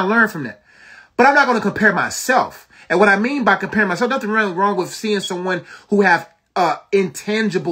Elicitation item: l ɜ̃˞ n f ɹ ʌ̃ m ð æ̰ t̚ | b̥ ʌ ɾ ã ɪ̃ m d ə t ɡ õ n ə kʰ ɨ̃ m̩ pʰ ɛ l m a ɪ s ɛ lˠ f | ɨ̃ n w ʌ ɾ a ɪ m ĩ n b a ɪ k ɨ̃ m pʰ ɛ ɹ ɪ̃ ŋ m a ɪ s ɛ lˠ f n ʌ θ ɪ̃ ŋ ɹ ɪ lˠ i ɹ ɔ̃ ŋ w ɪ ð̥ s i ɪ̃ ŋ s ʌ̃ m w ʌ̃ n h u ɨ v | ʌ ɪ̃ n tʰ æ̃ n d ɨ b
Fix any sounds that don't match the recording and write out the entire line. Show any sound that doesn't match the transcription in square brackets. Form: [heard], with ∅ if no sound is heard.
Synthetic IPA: l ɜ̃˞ n f ɹ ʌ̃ m ð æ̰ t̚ | b̥ ʌ ɾ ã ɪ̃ m [n] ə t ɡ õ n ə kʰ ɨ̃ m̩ pʰ ɛ [ɹ] m a ɪ s ɛ lˠ f | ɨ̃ n w ʌ ɾ a ɪ m ĩ n b a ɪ k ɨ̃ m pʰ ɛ ɹ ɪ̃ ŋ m a ɪ s ɛ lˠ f n ʌ θ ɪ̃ ŋ ɹ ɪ lˠ i ɹ ɔ̃ ŋ w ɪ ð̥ s i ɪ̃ ŋ s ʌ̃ m w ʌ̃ n h u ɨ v | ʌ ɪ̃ n tʰ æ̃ n [d͡ʒ] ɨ b